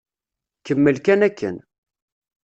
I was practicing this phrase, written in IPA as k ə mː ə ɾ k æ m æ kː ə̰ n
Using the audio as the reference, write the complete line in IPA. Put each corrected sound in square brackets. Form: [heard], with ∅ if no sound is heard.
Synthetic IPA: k ə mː ə [l] k æ [n] æ kː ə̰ n